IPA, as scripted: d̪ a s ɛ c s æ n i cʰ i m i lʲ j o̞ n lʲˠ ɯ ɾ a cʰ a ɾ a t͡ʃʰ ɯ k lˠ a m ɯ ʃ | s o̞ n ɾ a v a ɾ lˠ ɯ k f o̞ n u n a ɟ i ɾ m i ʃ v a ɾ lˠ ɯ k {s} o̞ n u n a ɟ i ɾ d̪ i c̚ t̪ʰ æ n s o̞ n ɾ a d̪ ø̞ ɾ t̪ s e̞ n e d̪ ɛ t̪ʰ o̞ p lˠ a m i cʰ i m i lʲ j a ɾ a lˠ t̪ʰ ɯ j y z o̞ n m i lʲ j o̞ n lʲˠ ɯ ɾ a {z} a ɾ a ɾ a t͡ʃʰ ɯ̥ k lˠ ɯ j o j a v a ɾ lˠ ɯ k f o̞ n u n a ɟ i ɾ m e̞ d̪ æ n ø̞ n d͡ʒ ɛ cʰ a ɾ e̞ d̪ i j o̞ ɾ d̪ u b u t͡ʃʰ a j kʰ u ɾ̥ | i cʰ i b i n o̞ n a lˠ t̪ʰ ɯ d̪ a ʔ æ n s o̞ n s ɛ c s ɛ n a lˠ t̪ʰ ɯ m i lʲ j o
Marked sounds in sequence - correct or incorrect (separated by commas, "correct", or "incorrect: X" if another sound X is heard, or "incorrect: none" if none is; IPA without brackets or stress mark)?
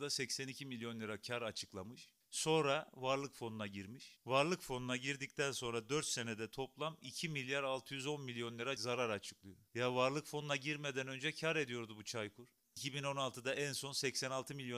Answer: incorrect: f, correct